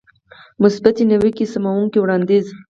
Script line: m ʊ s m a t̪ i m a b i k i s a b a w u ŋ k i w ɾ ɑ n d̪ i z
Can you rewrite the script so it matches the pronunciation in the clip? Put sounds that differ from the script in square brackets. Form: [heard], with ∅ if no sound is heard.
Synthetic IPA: m ʊ s [b] a t̪ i [n] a [w] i k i s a [m] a w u ŋ k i w [ɽ] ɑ n d̪ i z